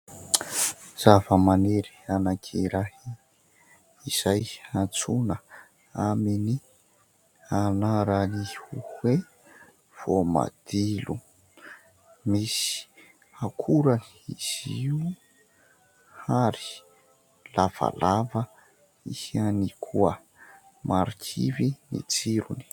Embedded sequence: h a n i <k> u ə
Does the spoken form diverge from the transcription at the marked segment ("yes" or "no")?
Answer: yes